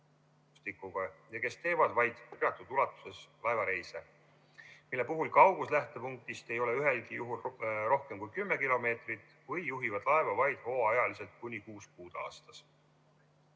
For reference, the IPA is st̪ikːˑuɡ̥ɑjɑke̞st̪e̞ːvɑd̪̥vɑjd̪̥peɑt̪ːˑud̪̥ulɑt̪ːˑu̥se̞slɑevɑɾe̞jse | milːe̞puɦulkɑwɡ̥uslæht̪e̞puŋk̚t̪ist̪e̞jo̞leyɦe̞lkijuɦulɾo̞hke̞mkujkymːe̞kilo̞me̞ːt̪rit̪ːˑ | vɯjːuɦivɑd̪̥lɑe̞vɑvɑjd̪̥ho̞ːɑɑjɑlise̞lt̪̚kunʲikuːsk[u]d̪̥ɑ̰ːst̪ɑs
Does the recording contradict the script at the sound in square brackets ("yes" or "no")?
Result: yes